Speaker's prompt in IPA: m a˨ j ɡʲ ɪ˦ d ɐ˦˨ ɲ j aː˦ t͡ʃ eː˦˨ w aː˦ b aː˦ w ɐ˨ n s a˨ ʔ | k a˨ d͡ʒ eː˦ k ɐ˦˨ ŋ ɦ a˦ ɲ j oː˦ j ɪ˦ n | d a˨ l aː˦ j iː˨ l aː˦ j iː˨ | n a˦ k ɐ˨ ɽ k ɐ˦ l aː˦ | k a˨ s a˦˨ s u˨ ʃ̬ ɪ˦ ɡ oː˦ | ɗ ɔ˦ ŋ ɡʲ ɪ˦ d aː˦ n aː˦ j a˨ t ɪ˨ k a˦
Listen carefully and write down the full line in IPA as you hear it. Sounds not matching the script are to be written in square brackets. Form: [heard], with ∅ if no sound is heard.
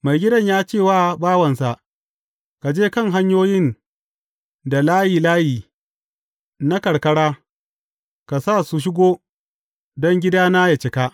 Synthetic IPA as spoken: m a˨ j ɡʲ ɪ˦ d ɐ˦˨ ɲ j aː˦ t͡ʃ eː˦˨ w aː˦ b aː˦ w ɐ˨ n s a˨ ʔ | k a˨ d͡ʒ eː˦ k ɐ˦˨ ŋ ɦ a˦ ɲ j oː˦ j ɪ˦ n | d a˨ l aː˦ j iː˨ l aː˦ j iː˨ | n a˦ k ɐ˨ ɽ k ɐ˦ [ɽ] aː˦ | k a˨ s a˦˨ s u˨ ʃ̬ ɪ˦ ɡ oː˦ | [d] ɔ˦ ŋ ɡʲ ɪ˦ d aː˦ n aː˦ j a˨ [t͡ʃ] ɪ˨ k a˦

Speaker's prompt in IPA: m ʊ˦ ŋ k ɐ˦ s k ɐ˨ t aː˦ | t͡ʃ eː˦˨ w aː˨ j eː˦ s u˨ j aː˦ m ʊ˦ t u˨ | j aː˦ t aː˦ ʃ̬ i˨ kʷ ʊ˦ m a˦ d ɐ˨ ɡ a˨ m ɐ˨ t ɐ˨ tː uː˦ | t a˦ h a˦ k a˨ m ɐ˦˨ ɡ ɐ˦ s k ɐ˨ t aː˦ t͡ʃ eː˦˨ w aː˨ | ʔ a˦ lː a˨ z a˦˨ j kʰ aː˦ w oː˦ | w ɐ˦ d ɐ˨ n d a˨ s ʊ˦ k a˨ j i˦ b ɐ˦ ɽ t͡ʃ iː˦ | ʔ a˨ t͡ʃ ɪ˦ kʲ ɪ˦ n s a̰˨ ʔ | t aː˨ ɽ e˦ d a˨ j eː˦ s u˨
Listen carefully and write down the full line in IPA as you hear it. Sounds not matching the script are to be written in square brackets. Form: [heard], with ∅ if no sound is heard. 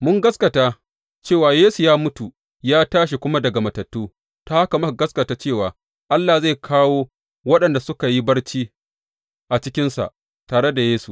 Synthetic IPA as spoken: m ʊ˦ ŋ [ɡ] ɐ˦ s k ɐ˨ t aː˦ | t͡ʃ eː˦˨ w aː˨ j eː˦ s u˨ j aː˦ m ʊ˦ t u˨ | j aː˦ t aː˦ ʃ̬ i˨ kʷ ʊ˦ m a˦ d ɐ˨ ɡ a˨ m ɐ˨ t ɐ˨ tː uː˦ | t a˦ h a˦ k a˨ m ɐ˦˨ ɡ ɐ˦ s k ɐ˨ t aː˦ t͡ʃ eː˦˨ w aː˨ | ʔ a˦ lː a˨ z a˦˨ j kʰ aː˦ w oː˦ | w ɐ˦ [ɗ] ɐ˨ n d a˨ s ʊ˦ k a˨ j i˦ b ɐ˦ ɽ t͡ʃ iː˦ | ʔ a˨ t͡ʃ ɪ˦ kʲ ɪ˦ n s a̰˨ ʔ | t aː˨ ɽ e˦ d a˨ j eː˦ s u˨

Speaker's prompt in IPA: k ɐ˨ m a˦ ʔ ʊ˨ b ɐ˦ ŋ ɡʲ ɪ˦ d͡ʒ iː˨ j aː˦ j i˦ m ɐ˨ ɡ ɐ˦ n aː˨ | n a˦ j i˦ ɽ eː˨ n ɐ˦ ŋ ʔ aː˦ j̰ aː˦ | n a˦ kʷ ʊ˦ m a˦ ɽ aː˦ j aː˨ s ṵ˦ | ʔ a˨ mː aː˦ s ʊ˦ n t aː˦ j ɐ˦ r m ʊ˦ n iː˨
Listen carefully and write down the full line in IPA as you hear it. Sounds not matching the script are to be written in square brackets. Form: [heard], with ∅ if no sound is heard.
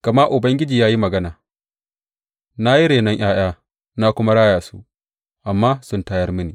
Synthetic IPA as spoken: k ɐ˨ m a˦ ʔ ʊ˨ b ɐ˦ ŋ ɡʲ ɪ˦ d͡ʒ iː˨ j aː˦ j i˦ m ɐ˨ ɡ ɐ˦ n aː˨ | n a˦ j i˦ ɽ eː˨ n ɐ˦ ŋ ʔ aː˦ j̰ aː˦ | n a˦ kʷ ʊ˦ m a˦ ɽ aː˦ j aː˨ s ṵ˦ | ʔ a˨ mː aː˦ s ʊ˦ n t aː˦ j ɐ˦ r m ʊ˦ n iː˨

